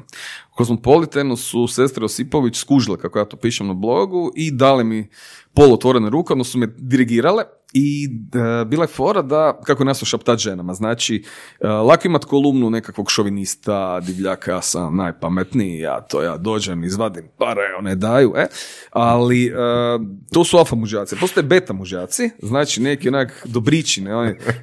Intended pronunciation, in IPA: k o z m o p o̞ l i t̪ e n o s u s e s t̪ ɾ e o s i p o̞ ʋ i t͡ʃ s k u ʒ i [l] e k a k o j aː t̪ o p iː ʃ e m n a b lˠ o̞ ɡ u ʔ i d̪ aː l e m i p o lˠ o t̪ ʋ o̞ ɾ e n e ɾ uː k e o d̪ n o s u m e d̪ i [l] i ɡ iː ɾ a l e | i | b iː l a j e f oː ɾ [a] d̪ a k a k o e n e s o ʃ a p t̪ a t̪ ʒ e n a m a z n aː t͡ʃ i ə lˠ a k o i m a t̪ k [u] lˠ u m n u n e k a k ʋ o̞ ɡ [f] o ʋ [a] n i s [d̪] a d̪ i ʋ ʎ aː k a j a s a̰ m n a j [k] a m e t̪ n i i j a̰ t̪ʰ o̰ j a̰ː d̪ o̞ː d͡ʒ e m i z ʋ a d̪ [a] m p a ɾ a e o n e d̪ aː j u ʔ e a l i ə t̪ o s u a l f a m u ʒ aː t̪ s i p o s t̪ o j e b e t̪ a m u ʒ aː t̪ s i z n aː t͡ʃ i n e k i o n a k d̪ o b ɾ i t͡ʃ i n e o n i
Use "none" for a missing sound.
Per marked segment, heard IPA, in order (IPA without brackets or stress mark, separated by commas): l, ɾ, a, o, ʃ, i, t̪, p, i